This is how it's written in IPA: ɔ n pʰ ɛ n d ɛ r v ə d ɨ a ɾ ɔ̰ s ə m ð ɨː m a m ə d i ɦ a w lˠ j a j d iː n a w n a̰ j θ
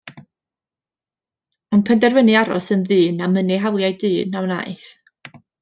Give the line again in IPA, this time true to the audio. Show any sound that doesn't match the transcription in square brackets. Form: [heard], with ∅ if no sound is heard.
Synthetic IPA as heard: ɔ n pʰ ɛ n d ɛ r v ə [n] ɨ a ɾ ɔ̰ s ə [n] ð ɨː [n] a m ə [n] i ɦ a w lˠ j a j d [ɨː] n a w n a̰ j θ